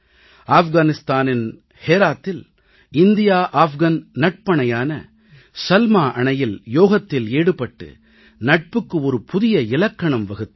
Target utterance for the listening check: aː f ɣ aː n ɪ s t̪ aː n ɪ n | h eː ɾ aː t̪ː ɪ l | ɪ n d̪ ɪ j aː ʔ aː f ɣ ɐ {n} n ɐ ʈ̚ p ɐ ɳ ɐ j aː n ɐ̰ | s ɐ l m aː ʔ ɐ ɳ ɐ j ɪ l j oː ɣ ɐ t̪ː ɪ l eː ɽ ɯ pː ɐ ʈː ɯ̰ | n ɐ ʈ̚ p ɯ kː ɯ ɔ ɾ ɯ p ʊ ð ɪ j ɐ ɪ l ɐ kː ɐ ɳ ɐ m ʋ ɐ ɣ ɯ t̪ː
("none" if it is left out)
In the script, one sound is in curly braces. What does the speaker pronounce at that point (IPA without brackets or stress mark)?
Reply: n